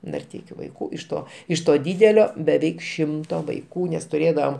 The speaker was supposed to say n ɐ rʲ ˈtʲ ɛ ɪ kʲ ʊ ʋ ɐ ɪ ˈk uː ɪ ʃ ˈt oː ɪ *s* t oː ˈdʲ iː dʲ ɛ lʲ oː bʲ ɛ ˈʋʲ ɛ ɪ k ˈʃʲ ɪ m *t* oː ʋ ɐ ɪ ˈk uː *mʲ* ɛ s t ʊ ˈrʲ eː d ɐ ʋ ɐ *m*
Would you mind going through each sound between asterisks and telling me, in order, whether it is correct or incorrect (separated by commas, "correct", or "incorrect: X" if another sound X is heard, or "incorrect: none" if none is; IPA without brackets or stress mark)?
incorrect: ʃ, correct, incorrect: nʲ, correct